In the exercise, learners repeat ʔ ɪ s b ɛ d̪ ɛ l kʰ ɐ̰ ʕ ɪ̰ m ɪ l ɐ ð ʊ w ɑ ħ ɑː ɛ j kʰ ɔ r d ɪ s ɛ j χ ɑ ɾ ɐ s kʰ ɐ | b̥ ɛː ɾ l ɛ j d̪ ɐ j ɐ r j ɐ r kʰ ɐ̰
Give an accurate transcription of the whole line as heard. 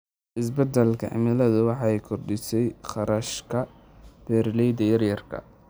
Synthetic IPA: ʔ ɪ s b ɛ d̪ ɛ l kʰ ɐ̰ ʕ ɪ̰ m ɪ l ɐ ð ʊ w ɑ ħ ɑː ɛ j kʰ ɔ r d ɪ s ɛ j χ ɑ ɾ ɐ ʃ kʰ ɐ | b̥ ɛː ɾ l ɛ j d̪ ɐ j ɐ r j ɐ r kʰ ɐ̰

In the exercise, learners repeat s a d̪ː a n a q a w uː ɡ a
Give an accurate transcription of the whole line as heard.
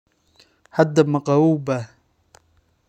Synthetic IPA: h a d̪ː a m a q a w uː b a

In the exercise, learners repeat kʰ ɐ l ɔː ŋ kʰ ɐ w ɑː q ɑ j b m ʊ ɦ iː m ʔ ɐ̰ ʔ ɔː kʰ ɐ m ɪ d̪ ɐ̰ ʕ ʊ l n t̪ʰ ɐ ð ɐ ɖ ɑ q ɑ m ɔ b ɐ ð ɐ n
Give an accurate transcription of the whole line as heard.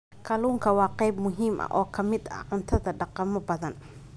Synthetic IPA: kʰ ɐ l uː ŋ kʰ ɐ w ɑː q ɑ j b m ʊ ɦ iː m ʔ ɐ̰ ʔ ɔː kʰ ɐ m ɪ d̪ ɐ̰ ʕ ʊ n t̪ʰ ɐ ð ɐ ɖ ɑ q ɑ m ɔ b ɐ ð ɐ n

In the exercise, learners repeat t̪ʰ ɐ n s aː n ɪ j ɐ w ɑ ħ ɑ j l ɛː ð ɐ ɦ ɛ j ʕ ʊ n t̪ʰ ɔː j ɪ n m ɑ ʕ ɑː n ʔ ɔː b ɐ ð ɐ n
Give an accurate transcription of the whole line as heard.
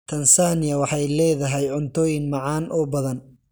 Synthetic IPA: t̪ʰ ɐ n s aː n ɪ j ɐ w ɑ ħ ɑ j l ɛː ð ɐ ɦ ɛ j ʕ ʊ n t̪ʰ ɔː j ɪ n m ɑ ʕ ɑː n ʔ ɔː b ɐ ð ɐ n

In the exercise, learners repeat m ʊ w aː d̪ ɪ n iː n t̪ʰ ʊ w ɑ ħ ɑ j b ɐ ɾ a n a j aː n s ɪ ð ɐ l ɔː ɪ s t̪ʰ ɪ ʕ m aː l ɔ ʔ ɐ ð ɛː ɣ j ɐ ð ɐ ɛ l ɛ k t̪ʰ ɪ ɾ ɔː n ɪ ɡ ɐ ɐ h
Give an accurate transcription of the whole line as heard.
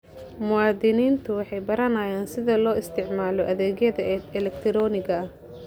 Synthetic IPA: m ʊ w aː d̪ ɪ n iː n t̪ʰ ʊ w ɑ ħ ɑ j b ɐ ɾ ɐ n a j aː n s ɪ ð ɐ l ɔː ɪ s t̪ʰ ɪ ʕ m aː l ɔ ʔ ɐ ð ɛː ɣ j ɐ ð ɐ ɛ l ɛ k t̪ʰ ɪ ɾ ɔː n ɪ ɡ ɐ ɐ h

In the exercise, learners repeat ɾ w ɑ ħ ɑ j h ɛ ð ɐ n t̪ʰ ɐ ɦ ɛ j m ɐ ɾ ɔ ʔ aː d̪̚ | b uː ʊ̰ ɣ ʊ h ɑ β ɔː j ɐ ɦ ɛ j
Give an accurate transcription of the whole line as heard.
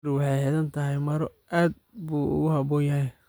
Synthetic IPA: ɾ w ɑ ħ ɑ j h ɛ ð ɐ n t̪ʰ ɐ ɦ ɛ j m ɐ ɾ ɔ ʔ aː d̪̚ | b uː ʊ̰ ɣ ʊ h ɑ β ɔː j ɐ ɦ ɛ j

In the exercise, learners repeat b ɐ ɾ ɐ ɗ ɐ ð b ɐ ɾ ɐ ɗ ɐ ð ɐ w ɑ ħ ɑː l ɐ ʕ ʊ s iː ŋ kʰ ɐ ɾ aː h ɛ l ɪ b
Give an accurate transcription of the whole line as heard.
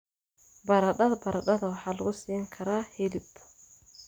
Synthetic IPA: b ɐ ɾ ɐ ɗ ɐ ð b ɐ ɾ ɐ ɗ ɐ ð ɐ w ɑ ħ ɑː l ɐ ɣ ʊ s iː ŋ kʰ ɐ ɾ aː h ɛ l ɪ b

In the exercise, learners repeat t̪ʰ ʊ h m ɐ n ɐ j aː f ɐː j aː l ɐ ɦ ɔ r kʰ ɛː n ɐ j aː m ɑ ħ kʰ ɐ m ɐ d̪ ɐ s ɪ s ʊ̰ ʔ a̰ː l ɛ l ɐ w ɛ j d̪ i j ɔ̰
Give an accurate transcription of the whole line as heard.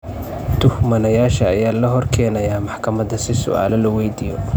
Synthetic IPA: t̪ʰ ʊ h m ɐ n ɐ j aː ʃ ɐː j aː l ɐ ɦ ɔ r kʰ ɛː n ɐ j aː m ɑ ħ kʰ ɐ m ɐ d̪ ɐ s ɪ s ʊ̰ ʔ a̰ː l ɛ l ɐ w ɛ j d̪ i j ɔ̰

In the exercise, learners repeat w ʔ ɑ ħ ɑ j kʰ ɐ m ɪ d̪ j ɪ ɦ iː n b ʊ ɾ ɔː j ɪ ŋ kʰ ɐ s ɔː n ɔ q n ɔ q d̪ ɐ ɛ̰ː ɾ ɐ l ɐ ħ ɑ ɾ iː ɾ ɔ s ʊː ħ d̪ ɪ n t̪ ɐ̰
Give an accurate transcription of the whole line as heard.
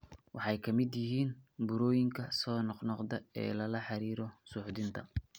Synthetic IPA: w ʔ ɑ ħ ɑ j kʰ ɐ m ɪ d̪ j ɪ ɦ iː n b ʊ ɾ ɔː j ɪ ŋ kʰ ɐ s ɔː n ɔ q n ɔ q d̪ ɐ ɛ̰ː l ɐ l ɐ ħ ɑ ɾ iː ɾ ɔ s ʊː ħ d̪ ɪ n t̪ʰ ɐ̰

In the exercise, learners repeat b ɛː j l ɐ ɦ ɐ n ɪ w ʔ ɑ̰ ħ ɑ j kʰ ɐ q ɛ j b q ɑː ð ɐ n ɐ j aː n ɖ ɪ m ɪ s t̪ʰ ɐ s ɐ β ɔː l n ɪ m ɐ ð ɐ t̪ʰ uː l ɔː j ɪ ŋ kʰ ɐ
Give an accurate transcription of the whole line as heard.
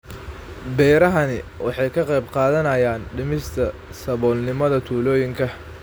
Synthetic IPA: b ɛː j ɾ ɐ ɦ ɐ n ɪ w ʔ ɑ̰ ħ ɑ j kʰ ɐ q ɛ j b q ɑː ð ɐ n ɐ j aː n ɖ ɪ m ɪ s t̪ʰ ɐ s ɐ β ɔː l n ɪ m ɐ ð ɐ t̪ʰ uː l ɔː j ɪ ŋ kʰ ɐ

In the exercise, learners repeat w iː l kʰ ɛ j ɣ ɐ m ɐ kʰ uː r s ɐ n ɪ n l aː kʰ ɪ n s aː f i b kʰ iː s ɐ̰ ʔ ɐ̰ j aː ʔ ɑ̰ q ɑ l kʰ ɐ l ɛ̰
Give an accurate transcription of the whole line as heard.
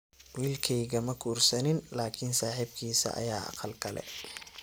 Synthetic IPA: w iː l kʰ ɛ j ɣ ɐ m ɐ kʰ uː r s ɐ n ɪ n l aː kʰ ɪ n s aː ħ i b kʰ iː s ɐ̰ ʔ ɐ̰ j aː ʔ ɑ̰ q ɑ l kʰ ɐ l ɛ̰

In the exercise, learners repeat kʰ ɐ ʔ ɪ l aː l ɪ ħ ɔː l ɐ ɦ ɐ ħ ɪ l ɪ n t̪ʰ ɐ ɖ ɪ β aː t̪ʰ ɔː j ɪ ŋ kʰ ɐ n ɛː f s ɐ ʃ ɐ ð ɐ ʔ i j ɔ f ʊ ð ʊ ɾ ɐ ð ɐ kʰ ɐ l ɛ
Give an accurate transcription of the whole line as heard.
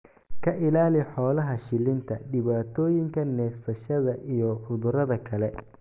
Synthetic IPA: kʰ ɐ ʔ ɪ l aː l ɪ ħ ɔː l ɐ ɦ ɐ ʃ ɪ l ɪ n t̪ʰ ɐ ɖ ɪ β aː t̪ʰ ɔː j ɪ ŋ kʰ ɐ n ɛː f s ɐ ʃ ɐ ð ɐ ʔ i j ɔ f ʊ ð ʊ ɾ ɐ ð ɐ kʰ ɐ l ɛ

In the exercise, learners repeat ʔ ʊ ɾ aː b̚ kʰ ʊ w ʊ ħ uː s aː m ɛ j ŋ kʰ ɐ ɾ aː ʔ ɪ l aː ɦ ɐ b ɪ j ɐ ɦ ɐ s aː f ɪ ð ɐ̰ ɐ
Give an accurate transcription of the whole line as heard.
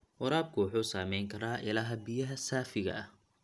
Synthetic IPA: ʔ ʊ ɾ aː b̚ kʰ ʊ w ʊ ħ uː s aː m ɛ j ŋ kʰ ɐ ɾ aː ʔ ɪ l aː ɦ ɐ b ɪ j ɐ ɦ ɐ s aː f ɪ ɣ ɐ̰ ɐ

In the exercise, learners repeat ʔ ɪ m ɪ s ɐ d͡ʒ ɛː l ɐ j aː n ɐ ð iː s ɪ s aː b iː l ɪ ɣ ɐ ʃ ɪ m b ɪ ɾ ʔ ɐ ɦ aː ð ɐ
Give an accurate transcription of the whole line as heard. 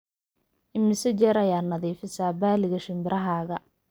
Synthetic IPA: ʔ ɪ m ɪ s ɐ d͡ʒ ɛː ɾ ɐ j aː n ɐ ð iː f ɪ s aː b aː l ɪ ɣ ɐ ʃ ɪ m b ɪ ɾ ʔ ɐ ɦ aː ɣ ɐ

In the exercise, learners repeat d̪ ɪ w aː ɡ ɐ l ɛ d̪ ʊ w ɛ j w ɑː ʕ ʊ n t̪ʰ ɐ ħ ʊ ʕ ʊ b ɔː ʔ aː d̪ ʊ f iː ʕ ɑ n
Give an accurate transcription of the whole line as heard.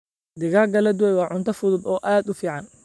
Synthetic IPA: d̪ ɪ ɣ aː ɡ ɐ l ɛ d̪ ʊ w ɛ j w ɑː ʕ ʊ n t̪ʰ ɐ f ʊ ð ʊ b ɔː ʔ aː d̪ ʊ f iː ʕ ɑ n

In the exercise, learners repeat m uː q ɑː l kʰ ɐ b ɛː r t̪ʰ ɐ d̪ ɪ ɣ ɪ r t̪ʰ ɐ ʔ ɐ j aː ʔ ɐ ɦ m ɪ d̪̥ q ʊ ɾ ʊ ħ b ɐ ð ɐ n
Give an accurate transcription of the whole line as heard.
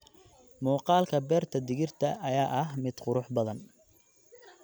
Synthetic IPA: m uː q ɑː l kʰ ɐ b ɛː r t̪ʰ ɐ d̪ ɪ ɣ ɪ r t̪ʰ ɐ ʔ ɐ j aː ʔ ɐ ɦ m ɪ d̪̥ q ʊ ɾ ʊ ħ b ɐ ð ɐ n

